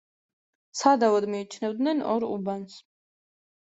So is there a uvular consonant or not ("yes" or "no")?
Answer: no